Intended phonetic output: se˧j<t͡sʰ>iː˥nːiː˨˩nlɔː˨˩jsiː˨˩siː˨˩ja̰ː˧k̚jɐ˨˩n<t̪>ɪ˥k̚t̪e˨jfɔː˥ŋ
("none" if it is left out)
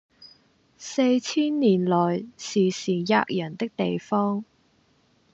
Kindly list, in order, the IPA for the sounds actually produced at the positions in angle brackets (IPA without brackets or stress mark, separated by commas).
t͡sʰ, t̪